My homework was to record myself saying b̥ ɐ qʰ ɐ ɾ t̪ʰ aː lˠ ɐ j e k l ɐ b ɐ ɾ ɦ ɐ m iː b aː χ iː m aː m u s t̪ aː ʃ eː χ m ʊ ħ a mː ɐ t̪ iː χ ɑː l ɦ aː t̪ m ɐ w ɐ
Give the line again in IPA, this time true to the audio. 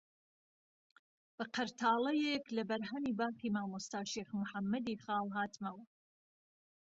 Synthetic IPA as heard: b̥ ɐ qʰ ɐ ɾ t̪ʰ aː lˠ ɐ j e k l ɐ b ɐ ɾ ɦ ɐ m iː b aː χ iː m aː m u s t̪ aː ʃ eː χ m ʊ ħ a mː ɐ d̪ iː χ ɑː l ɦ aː t̪ m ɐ w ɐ